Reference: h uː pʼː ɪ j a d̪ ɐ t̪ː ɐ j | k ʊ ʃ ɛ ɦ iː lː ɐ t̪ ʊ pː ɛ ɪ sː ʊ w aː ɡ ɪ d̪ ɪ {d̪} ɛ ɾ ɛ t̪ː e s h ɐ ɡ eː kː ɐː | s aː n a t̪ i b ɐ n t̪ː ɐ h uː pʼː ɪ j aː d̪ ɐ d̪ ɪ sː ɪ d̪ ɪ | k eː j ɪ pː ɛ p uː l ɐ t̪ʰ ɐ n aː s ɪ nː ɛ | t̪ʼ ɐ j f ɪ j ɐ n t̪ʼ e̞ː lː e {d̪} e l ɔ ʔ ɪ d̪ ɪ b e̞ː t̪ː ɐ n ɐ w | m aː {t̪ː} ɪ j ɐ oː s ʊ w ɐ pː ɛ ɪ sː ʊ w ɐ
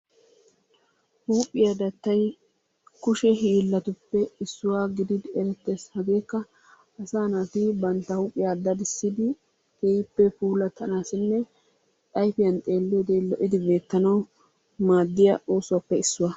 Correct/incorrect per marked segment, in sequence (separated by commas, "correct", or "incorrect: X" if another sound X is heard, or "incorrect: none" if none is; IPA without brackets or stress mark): correct, correct, incorrect: d̪ː